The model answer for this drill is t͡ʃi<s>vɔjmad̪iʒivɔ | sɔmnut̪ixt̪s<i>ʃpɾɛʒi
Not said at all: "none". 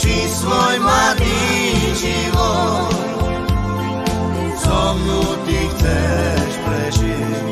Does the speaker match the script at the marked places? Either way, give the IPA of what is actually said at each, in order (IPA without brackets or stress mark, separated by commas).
s, ɛ